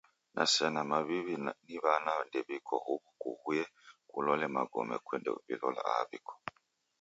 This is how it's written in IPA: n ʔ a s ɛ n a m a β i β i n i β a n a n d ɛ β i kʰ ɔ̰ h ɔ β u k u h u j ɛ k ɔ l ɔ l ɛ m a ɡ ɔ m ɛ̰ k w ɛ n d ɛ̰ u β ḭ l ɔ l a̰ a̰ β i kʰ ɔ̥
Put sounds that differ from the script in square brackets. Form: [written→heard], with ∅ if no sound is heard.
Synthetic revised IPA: n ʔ a s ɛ n a m a β i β i n i β a n a n d ɛ β i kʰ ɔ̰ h [ɔ→u] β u k u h u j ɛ k [ɔ→u] l ɔ l ɛ m a ɡ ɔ m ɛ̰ k w ɛ n d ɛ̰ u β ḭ l ɔ l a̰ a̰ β i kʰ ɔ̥